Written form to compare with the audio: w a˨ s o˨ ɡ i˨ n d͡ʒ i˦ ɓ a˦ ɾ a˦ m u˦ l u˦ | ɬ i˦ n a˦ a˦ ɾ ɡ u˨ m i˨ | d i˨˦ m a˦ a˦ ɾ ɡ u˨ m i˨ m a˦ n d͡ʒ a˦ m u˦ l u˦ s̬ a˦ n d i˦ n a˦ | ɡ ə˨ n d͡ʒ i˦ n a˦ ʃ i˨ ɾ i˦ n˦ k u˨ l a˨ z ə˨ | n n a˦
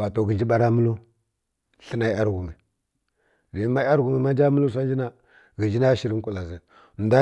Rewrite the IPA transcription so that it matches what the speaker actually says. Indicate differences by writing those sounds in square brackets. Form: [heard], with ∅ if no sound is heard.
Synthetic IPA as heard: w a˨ [t] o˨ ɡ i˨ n d͡ʒ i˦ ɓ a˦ ɾ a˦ m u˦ l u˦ | ɬ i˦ n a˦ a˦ ɾ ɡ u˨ m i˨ | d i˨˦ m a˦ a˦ ɾ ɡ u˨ m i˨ m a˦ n d͡ʒ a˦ m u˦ l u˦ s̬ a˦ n [d͡ʒ] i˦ n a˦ | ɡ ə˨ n d͡ʒ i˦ n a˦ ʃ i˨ ɾ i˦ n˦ k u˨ l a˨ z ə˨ | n [d] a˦

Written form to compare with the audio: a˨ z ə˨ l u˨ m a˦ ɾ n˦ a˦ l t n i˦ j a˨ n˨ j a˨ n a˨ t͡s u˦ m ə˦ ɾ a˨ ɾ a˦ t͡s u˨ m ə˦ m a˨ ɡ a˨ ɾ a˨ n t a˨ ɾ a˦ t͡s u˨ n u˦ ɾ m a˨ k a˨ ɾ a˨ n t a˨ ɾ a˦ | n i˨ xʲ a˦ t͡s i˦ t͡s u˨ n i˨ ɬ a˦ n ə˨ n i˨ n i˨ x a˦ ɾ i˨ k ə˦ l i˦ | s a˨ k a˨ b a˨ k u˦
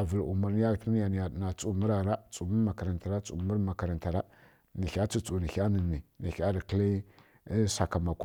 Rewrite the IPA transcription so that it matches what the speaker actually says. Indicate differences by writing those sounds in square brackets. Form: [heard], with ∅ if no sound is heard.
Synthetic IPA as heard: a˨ [v] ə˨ l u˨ m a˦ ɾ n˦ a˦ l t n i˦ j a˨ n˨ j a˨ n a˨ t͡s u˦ m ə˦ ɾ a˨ ɾ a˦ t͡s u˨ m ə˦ m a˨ [k] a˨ ɾ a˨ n t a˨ ɾ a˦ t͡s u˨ [m] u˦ ɾ m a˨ k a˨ ɾ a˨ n t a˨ ɾ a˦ | n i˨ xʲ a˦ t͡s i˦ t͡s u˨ n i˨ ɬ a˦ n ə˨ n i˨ n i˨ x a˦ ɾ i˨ k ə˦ l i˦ | s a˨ k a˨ [m] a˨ k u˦

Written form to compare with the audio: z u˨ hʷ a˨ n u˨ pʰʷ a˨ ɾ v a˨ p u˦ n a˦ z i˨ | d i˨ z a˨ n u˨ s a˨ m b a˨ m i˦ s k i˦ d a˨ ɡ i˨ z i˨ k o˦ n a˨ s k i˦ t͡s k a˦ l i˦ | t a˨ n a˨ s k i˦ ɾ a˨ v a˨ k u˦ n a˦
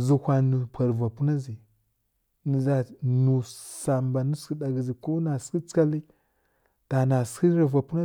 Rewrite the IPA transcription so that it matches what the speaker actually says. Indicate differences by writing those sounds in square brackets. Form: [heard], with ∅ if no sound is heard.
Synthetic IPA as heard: z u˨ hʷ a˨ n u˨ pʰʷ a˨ ɾ v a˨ p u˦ n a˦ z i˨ | [n] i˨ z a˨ n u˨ s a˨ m b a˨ [n] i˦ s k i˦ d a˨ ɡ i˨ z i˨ k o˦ n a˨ s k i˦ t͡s k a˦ l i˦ | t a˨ n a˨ s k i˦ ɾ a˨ v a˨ [p] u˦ n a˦

